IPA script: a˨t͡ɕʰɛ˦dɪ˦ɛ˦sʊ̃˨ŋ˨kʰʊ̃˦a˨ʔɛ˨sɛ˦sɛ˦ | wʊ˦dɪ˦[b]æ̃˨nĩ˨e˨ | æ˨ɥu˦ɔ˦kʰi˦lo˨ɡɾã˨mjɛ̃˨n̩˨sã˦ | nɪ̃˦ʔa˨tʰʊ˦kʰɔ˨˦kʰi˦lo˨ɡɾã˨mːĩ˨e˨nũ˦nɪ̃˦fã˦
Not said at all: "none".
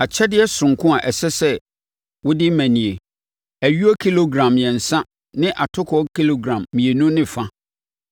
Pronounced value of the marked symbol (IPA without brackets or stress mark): m